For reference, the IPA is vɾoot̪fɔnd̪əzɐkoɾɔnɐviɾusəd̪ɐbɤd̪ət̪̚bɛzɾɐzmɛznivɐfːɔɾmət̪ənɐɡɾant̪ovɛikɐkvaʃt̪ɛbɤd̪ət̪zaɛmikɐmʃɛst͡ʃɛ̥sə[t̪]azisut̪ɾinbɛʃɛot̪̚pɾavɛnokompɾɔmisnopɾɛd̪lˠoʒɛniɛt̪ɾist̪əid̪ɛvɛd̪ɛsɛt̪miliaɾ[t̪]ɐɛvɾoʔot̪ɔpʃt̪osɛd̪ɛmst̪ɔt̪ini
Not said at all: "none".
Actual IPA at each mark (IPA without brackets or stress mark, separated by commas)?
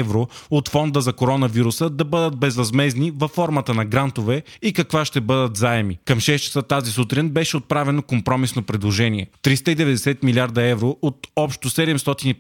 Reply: t̪, d̪